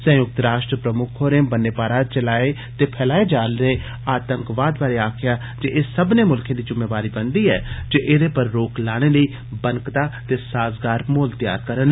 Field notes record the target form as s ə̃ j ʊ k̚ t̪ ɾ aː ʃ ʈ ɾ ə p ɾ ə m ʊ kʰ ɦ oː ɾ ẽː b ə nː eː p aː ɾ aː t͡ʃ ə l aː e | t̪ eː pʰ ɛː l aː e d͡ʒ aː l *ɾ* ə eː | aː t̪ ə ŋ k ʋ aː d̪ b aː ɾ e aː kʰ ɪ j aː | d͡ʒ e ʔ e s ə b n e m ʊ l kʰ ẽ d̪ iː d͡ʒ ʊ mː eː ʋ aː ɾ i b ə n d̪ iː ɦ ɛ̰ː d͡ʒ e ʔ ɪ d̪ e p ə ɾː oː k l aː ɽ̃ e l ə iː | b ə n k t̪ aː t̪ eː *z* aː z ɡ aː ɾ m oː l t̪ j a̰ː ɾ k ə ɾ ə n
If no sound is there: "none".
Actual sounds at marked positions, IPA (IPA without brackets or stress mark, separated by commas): ɾ, s